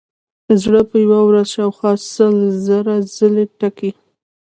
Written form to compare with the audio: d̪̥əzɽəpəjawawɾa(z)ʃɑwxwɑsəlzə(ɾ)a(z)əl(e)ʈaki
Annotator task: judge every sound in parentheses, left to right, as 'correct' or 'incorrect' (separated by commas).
correct, correct, correct, correct